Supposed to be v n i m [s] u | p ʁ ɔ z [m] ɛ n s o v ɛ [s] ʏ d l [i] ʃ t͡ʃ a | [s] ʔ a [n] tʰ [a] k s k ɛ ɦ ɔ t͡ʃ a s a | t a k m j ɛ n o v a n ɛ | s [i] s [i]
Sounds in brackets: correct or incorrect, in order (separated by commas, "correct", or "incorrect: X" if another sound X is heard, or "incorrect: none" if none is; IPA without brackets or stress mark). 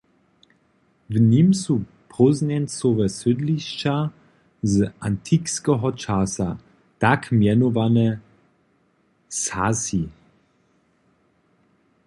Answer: correct, incorrect: n, correct, correct, incorrect: z, correct, incorrect: i, incorrect: a, correct